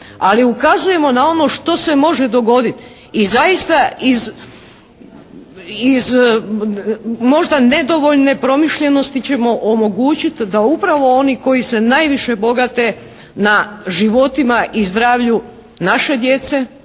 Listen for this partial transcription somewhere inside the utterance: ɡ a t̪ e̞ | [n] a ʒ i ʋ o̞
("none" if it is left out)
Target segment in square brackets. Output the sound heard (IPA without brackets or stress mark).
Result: n